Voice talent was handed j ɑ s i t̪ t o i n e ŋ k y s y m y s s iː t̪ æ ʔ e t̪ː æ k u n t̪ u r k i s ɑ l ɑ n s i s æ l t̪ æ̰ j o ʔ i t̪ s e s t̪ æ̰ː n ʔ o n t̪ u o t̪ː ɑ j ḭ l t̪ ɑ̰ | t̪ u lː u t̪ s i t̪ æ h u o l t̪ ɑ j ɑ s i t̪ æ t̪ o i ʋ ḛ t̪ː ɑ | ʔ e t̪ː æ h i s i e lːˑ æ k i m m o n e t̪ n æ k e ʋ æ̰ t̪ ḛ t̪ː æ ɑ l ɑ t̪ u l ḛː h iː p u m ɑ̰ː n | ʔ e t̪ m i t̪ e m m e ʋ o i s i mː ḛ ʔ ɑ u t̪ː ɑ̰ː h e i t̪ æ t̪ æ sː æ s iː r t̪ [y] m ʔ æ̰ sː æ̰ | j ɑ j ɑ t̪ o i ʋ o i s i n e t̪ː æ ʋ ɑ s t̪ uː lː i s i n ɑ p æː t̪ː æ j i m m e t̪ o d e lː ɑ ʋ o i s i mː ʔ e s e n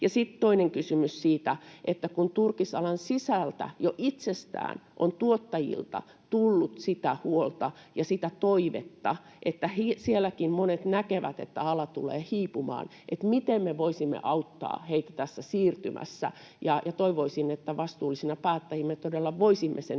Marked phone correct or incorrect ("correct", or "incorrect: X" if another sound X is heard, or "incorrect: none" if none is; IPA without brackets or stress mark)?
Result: correct